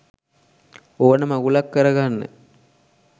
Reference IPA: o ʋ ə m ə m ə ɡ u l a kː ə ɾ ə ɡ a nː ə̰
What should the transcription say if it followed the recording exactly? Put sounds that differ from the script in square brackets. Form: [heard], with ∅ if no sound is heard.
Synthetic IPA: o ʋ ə [n] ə m [a] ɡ u l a kː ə ɾ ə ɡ a nː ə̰